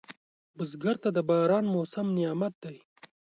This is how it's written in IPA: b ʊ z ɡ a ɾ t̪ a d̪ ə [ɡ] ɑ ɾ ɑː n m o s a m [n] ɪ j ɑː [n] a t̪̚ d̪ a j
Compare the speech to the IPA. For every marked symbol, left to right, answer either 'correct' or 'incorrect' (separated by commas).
incorrect, correct, incorrect